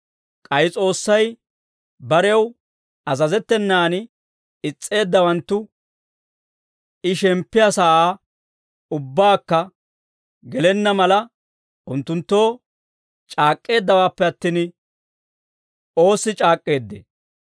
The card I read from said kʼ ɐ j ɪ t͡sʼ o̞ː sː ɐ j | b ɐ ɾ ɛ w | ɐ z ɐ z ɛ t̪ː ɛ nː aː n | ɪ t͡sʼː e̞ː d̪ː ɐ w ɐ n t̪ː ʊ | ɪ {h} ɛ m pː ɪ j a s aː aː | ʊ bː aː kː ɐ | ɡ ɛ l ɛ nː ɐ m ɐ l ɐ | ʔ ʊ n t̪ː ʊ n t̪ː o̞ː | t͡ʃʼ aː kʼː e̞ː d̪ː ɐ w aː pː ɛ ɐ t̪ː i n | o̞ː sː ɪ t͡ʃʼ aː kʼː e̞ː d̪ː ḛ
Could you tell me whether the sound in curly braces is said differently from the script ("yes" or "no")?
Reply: yes